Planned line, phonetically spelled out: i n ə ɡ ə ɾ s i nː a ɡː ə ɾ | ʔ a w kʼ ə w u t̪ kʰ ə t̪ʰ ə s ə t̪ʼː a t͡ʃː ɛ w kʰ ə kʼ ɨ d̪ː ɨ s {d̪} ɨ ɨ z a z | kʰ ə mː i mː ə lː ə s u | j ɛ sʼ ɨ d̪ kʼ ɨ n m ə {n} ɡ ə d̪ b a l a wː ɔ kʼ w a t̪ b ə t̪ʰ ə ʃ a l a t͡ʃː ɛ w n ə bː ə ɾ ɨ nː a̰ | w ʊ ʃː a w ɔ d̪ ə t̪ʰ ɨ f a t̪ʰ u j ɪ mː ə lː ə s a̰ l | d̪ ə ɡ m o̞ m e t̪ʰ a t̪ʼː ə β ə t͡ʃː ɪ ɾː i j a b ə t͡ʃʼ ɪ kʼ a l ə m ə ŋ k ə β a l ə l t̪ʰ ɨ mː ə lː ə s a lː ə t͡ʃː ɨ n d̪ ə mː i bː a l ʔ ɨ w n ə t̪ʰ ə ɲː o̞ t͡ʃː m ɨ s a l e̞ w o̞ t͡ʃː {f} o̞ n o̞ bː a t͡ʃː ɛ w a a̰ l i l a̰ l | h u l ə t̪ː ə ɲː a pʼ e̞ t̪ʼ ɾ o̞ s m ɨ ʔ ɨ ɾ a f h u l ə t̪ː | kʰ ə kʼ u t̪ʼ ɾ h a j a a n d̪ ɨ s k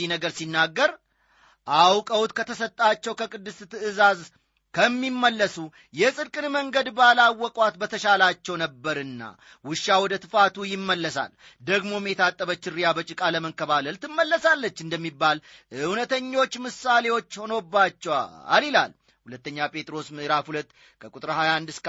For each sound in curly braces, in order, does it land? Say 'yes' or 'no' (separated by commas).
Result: no, no, no